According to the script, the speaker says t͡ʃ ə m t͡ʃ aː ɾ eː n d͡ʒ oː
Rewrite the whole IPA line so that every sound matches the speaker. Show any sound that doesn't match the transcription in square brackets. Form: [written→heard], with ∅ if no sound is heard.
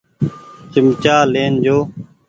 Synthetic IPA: t͡ʃ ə m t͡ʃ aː [ɾ→l] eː n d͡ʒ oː